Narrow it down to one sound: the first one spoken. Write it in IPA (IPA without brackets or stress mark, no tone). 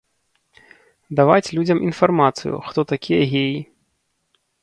d̪